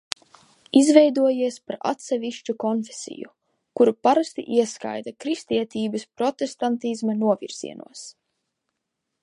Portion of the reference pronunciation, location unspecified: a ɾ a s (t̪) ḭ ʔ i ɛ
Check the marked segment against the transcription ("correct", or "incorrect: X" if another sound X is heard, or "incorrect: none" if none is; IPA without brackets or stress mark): correct